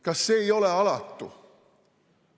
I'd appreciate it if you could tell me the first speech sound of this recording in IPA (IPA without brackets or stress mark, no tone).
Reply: k